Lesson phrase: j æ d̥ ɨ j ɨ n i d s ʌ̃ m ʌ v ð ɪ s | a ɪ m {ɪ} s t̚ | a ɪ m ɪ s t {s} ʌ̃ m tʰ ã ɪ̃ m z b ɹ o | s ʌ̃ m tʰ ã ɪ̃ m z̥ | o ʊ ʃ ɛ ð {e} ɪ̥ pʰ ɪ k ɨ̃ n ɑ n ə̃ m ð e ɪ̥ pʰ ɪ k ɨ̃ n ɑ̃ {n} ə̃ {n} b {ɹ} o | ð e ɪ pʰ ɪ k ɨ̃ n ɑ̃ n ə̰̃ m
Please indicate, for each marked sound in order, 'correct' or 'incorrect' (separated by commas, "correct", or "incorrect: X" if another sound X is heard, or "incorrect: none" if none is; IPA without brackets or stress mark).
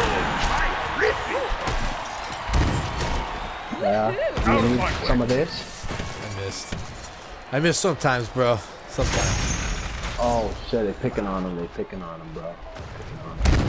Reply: correct, correct, correct, correct, incorrect: m, correct